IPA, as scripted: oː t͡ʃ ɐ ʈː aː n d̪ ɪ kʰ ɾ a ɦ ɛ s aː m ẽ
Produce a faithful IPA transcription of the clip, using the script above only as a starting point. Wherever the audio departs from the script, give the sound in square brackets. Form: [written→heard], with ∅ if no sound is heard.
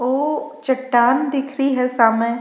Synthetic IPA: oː t͡ʃ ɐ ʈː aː n d̪ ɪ kʰ ɾ [a→i] ɦ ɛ s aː m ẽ